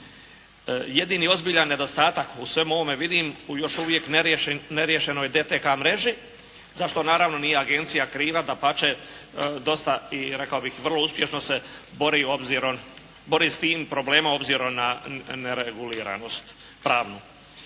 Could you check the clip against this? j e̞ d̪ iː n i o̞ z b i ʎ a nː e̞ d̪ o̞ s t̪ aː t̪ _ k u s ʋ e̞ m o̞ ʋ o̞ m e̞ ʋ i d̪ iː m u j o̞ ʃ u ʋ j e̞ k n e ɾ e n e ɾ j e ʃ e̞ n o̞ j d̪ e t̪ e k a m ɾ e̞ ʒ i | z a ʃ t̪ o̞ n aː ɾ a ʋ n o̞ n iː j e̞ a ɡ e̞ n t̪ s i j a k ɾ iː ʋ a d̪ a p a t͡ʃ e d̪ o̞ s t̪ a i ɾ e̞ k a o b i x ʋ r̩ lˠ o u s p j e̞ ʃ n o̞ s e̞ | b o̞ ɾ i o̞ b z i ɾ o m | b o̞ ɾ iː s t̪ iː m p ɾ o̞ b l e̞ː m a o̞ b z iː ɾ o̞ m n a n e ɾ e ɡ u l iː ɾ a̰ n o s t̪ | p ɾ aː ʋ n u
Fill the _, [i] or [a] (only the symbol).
a